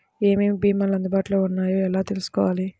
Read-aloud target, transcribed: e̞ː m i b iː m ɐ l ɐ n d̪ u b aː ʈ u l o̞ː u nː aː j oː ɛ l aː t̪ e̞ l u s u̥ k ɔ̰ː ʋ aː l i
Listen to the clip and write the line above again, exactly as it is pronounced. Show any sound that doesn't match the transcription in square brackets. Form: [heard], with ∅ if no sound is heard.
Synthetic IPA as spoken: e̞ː m i b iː m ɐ l ɐ n d̪ u b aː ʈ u l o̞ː u nː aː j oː ɛ l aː t̪ e̞ l u s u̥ k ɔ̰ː ʋ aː l i